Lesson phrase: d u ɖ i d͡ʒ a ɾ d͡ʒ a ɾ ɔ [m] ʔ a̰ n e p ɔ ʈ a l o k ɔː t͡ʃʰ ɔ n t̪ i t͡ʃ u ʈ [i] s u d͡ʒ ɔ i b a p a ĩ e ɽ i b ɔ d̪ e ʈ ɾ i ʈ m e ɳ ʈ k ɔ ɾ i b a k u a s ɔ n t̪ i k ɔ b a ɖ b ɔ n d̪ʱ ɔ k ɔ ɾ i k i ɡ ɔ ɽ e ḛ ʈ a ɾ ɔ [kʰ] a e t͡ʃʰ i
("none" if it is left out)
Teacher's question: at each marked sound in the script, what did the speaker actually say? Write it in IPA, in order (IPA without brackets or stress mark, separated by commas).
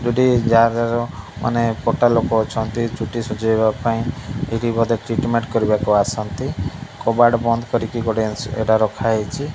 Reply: m, i, kʰ